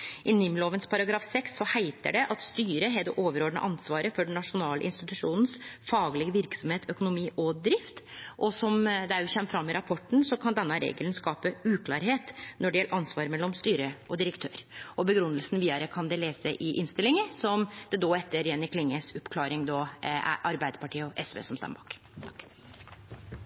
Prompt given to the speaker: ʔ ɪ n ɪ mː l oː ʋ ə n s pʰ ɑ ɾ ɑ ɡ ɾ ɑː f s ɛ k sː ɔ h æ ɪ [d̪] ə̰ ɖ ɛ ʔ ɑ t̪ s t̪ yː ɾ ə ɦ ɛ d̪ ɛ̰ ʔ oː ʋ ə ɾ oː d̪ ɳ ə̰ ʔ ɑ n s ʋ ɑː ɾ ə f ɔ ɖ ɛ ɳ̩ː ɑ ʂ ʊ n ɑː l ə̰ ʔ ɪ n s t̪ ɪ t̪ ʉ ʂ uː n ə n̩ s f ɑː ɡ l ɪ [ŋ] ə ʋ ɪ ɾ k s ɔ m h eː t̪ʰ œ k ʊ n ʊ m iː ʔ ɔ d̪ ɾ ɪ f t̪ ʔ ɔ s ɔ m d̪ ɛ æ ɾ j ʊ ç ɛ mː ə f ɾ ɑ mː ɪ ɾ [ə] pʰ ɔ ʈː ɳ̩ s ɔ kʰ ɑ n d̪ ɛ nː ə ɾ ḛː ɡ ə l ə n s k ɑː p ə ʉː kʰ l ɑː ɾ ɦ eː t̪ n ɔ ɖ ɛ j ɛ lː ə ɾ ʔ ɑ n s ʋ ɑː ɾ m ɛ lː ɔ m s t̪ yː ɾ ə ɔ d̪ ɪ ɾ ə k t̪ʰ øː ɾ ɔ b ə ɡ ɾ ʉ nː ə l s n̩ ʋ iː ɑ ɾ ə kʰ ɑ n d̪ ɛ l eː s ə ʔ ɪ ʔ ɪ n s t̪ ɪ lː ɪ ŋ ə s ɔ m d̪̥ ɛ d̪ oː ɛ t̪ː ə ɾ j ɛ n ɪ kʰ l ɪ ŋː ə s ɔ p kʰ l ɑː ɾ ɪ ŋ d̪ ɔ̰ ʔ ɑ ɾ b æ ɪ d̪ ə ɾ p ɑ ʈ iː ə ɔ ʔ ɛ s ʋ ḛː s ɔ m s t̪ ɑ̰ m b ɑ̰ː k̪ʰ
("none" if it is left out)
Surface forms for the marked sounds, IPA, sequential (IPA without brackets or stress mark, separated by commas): t̪, ɡ, ɑ